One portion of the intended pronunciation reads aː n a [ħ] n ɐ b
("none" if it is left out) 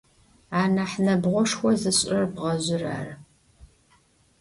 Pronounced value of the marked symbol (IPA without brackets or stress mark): ħ